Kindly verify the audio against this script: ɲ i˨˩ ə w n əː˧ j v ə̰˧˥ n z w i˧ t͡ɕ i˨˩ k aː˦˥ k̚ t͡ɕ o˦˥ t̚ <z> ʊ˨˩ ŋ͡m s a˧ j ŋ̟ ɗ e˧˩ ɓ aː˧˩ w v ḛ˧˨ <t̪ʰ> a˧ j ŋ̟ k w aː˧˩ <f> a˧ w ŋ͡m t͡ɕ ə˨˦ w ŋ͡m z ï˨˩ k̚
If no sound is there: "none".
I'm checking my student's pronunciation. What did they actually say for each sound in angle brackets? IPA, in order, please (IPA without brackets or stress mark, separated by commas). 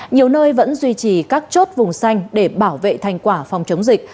v, t̪ʰ, f